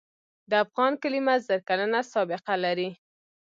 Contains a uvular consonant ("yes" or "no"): yes